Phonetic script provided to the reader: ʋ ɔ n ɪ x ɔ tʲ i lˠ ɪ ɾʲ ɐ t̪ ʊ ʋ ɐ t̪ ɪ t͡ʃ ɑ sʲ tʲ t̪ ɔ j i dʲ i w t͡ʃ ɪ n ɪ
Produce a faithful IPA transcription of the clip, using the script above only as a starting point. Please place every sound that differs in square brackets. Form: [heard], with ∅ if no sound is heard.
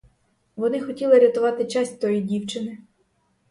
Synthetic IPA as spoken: ʋ ɔ n ɪ x ɔ tʲ i lˠ ɪ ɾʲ ɐ t̪ ʊ ʋ [ɑ] t̪ ɪ t͡ʃ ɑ sʲ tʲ t̪ ɔ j i dʲ i w t͡ʃ ɪ n ɪ